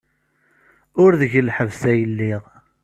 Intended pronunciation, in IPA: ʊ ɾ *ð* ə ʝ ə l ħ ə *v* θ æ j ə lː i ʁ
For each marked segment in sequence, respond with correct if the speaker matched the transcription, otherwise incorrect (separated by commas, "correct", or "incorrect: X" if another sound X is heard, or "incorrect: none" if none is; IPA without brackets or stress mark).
correct, correct